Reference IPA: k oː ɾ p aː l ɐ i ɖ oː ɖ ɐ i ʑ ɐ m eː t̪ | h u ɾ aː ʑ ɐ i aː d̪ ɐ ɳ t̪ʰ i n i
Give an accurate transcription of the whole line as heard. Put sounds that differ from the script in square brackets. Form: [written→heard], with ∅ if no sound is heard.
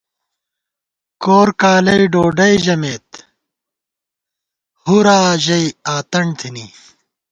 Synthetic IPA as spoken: k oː ɾ [p→k] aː l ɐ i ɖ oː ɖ ɐ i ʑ ɐ m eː t̪ | h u ɾ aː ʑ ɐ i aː [d̪→t̪] ɐ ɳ t̪ʰ i n i